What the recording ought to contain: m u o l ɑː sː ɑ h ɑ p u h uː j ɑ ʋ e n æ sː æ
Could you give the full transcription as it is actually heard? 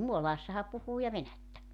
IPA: m u o l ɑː sː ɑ h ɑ p u h uː j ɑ ʋ e n æ tː æ